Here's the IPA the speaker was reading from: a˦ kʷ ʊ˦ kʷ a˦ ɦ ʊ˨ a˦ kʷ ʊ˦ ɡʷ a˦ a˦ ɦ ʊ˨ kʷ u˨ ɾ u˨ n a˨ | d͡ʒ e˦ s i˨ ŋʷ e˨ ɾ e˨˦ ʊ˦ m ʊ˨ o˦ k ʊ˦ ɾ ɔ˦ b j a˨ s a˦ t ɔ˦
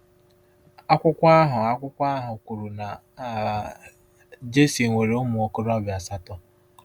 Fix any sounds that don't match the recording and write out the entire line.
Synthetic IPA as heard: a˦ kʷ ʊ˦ kʷ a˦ ɦ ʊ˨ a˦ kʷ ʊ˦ kʷ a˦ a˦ ɦ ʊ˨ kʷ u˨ ɾ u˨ n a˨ | d͡ʒ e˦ s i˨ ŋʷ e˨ ɾ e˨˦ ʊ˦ m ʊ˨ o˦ k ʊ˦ ɾ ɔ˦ b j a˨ s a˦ t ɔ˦

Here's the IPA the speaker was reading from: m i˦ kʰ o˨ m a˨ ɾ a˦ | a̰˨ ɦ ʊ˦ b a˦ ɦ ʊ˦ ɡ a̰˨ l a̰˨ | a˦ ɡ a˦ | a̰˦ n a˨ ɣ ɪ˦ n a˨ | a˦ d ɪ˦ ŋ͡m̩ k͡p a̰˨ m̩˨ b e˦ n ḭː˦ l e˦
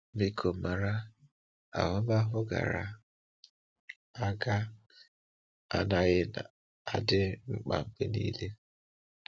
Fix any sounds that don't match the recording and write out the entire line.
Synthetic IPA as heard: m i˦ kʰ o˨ m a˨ ɾ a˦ | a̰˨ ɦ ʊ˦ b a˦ ɦ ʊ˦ ɡ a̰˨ ɾ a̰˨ | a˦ ɡ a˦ | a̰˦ n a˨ ɣ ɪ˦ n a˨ | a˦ d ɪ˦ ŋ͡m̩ k͡p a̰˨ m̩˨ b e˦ n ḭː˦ l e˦

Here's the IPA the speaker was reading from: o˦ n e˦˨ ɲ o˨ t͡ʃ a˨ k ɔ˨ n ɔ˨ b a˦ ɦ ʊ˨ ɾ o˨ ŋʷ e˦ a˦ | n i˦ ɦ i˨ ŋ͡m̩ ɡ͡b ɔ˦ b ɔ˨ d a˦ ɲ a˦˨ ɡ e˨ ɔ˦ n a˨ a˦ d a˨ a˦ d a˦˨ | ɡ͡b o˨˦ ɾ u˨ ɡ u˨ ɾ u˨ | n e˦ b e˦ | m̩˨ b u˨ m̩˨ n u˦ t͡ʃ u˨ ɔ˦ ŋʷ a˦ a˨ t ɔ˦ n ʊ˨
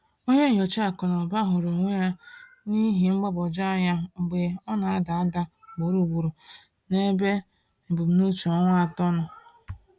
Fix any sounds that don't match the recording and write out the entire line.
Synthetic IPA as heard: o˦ ɲ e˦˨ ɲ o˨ t͡ʃ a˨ k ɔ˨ n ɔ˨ b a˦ ɦ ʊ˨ ɾ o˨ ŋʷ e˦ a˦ | n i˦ ɦ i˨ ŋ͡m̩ ɡ͡b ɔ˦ b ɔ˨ d͡ʒ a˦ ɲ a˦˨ ɡ͡b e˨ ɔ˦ n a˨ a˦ d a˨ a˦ d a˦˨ | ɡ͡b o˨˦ ɾ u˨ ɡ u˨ ɾ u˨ | n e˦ b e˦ | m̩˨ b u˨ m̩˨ n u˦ t͡ʃ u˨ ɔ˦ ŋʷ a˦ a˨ t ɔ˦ n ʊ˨

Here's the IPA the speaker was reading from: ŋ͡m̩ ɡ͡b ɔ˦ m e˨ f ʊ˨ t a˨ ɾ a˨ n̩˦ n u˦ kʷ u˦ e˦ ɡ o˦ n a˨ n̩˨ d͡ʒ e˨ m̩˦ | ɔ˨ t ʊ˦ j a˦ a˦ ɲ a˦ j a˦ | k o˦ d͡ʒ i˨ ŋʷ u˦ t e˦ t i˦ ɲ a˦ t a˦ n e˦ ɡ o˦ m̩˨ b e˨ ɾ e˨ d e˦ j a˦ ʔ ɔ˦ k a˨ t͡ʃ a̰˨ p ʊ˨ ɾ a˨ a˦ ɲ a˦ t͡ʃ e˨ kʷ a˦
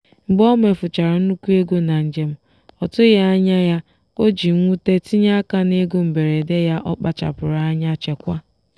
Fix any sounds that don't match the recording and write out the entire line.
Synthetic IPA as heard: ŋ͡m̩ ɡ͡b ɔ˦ m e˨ f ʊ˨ t͡ʃ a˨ ɾ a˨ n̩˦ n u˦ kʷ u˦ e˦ ɡ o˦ n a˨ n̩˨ d͡ʒ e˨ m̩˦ | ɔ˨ t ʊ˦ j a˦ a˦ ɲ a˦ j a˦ | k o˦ d͡ʒ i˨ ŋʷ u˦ t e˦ t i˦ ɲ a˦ k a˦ n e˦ ɡ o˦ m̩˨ b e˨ ɾ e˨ d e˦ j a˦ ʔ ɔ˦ k͡p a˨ t͡ʃ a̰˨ p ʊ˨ ɾ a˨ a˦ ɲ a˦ t͡ʃ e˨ kʷ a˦

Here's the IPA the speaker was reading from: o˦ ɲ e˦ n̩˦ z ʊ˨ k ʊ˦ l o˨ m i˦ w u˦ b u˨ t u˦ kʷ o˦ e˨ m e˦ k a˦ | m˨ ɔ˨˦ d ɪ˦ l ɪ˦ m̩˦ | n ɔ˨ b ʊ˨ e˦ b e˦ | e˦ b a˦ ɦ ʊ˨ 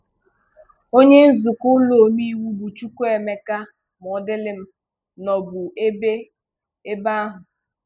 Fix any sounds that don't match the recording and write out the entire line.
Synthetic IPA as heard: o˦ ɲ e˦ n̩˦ z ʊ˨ k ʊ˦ l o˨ m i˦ w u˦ b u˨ t͡ʃ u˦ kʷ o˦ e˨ m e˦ k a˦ | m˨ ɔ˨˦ d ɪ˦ l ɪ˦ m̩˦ | n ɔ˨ b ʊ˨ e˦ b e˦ | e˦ b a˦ ɦ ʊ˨

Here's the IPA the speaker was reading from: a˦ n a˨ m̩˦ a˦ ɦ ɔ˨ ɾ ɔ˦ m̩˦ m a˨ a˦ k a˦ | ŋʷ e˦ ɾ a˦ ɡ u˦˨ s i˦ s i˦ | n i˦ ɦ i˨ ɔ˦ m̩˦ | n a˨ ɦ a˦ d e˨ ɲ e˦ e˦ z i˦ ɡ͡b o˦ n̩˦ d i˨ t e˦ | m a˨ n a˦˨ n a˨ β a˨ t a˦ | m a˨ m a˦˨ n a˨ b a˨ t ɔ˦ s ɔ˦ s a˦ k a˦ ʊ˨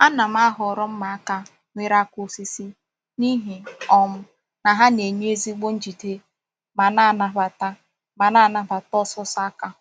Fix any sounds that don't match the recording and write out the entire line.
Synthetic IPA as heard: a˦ n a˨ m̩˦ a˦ ɦ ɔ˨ ɾ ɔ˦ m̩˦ m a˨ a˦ k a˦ | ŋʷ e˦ ɾ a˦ k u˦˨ s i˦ s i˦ | n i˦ ɦ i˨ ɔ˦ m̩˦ | n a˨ ɦ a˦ n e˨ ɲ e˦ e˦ z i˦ ɡ͡b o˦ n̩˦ d͡ʒ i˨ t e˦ | m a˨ n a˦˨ n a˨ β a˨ t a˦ | m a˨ n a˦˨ n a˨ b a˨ t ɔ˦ s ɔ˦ s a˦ k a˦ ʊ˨

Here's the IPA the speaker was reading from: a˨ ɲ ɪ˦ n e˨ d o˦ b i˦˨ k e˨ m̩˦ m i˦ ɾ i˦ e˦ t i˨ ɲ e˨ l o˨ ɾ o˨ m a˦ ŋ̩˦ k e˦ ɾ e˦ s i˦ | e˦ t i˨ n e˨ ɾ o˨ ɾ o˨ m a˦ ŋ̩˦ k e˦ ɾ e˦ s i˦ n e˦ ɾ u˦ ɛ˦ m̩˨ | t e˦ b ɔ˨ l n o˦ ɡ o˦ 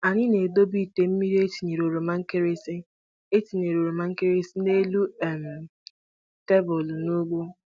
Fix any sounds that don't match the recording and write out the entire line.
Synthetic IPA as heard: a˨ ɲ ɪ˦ n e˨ d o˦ b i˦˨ t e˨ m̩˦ m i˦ ɾ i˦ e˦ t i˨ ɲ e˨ ɾ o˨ ɾ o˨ m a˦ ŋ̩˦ k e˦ ɾ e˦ s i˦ | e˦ t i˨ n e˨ ɾ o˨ ɾ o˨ m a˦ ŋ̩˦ k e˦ ɾ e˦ s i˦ n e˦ l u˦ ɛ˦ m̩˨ | t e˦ b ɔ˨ l n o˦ ɡ͡b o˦

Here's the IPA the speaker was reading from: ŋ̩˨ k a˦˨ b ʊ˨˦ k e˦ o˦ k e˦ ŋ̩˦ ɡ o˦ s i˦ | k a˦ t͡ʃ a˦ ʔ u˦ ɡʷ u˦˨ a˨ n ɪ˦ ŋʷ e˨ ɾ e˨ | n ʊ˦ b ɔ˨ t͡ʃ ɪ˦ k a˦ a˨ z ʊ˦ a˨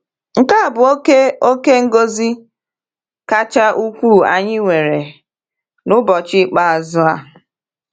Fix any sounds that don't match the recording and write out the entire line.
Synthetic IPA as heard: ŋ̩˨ k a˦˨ b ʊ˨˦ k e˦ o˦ k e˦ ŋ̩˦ ɡ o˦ z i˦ | k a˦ t͡ʃ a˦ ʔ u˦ kʷ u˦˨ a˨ ɲ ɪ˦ ŋʷ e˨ ɾ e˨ | n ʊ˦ b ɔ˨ t͡ʃ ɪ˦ k͡p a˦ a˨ z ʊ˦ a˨

